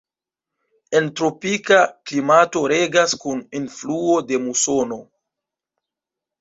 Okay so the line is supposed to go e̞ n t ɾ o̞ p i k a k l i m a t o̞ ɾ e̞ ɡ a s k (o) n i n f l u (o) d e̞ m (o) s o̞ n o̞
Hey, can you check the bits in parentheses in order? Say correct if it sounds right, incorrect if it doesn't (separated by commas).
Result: incorrect, correct, incorrect